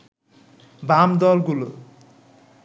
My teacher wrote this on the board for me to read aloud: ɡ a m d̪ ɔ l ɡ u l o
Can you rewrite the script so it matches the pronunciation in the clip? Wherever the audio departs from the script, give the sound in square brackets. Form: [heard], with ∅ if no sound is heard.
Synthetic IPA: [b] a m d̪ ɔ l ɡ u l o